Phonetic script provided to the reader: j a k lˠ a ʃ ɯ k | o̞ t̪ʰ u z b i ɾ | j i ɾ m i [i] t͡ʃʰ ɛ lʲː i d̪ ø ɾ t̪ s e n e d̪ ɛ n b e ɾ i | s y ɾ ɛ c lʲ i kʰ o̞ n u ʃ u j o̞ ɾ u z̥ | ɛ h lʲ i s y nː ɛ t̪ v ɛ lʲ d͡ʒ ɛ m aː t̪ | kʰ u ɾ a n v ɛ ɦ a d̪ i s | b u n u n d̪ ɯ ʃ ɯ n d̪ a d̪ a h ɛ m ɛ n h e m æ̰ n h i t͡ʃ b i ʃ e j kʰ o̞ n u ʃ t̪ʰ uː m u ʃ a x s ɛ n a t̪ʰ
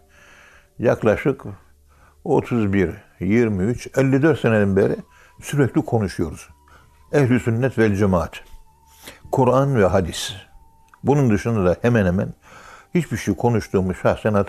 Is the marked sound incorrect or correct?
incorrect